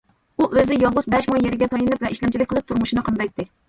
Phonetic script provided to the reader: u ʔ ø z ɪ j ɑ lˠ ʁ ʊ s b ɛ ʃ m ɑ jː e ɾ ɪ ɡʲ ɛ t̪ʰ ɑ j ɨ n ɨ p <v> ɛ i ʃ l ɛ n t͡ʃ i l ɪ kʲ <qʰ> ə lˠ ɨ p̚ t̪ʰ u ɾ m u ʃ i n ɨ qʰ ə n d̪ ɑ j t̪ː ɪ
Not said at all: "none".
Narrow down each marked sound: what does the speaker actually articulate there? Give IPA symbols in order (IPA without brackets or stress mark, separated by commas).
v, q